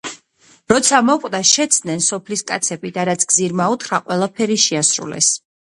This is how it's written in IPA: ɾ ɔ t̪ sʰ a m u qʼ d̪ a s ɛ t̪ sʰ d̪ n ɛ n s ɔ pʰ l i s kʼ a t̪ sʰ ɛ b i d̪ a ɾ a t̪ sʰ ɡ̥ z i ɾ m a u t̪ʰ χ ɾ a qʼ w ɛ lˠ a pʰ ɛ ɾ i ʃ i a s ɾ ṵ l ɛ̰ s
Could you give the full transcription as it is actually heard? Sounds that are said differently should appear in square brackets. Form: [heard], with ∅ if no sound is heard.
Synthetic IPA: ɾ ɔ t̪ sʰ a m [ɔ] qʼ d̪ a [ʃ] ɛ t̪ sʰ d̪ n ɛ n s ɔ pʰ l i s kʼ a t̪ sʰ ɛ b i d̪ a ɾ a t̪ sʰ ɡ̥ z i ɾ m a u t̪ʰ χ ɾ a qʼ w ɛ lˠ a pʰ ɛ ɾ i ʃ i a s ɾ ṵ l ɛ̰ s